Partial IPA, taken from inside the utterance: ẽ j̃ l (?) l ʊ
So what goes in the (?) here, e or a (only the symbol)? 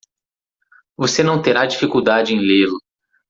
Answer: e